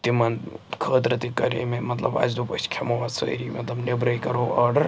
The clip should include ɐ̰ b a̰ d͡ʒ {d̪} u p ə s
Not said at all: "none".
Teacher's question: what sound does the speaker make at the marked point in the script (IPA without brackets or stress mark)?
d̪